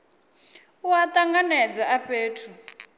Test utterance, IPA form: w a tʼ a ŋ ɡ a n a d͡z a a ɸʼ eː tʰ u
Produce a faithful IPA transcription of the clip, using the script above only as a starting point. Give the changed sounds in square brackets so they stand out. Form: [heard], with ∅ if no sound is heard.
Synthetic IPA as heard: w a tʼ a ŋ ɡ a n [ɛ] d͡z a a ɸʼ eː tʰ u